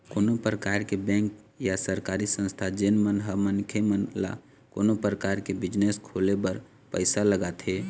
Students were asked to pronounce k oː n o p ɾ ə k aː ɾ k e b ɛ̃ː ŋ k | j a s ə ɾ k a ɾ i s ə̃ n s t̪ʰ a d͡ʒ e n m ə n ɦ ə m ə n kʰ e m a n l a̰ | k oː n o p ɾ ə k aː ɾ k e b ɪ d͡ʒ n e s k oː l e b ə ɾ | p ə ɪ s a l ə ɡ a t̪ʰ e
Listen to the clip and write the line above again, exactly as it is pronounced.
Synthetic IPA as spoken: k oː n o p ɾ ə k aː ɾ k e b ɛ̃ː ŋ k | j a s ə ɾ k a ɾ i s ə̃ n s t̪ʰ a d͡ʒ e n m ə n ɦ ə m ə n kʰ e m ə n l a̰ | k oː n o p ɾ ə k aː ɾ k e b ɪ d͡ʒ n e s kʰ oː l e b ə ɾ | p ə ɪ s a l ə ɡ a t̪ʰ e